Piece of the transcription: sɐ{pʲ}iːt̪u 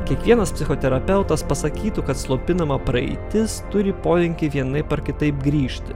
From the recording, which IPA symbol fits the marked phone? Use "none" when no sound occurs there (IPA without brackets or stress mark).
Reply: kʲ